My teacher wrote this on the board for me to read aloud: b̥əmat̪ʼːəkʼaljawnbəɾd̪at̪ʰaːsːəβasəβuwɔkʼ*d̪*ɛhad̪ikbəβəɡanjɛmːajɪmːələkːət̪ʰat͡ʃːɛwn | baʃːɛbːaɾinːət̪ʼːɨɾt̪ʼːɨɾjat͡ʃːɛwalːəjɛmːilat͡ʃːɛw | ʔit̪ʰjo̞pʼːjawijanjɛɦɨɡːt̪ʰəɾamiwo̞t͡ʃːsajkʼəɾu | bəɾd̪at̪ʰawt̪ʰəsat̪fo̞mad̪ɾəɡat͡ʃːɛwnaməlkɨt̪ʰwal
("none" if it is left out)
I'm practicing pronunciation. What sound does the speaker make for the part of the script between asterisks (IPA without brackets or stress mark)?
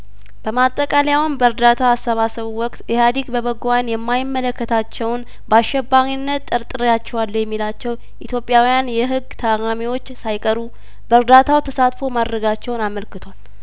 t̪